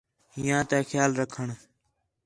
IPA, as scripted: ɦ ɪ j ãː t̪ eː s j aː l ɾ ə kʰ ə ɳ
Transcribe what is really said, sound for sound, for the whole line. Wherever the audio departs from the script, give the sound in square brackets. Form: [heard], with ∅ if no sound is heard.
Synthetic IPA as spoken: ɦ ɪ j ãː t̪ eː [x] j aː l ɾ ə kʰ ə ɳ

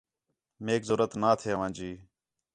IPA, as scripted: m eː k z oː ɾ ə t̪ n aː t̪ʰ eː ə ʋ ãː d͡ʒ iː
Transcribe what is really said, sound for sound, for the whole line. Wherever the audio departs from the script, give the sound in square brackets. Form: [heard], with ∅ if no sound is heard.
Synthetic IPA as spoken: m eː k z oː ɾ ə t̪ n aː t̪ʰ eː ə ʋ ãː d͡ʒ iː

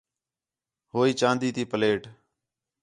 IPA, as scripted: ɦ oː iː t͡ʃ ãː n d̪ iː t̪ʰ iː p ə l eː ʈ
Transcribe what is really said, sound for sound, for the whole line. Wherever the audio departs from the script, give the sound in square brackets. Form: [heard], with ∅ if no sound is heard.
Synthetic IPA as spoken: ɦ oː iː t͡ʃ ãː n d̪ iː [t̪] iː p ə l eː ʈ

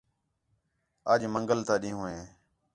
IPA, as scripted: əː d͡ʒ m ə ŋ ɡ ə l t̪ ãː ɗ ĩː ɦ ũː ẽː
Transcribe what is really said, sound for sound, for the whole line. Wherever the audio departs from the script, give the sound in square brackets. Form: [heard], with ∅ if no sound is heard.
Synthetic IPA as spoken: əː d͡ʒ m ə ŋ ɡ ə l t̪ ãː ɗ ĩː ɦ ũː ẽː

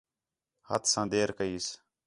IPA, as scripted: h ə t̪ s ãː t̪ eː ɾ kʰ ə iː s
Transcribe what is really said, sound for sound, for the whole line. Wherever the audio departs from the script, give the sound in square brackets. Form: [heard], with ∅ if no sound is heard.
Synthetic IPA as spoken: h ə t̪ s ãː [d̪] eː ɾ [k] ə iː s

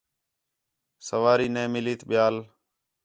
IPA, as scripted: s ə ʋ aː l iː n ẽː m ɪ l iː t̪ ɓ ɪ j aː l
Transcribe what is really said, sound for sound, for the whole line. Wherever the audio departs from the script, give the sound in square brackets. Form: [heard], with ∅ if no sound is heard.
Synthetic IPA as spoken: s ə ʋ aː [ɾ] iː n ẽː m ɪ l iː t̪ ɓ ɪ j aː l

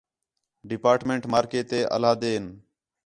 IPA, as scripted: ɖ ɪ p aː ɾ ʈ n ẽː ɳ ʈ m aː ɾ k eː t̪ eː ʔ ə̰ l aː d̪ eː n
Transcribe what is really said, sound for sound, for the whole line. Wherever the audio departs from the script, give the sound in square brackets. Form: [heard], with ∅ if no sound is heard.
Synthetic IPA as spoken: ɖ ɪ p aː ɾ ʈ [m] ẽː ɳ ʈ m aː ɾ k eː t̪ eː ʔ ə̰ l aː d̪ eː n

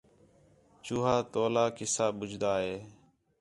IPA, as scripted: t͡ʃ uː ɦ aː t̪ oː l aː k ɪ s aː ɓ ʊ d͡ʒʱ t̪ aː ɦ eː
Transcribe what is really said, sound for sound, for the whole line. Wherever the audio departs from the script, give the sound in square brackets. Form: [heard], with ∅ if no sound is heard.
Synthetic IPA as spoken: t͡ʃ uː ɦ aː t̪ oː l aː k ɪ s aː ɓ ʊ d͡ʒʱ [d̪] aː ɦ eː

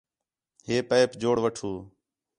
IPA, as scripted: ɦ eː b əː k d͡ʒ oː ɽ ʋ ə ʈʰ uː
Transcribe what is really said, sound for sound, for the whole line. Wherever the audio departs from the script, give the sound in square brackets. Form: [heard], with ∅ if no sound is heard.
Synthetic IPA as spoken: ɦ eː [p] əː [p] d͡ʒ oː ɽ ʋ ə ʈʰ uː

